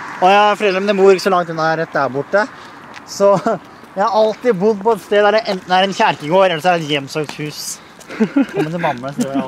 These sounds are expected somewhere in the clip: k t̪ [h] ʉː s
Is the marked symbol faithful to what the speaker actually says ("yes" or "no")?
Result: yes